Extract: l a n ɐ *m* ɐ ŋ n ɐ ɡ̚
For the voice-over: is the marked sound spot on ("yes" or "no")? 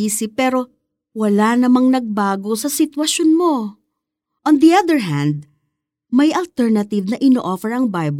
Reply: yes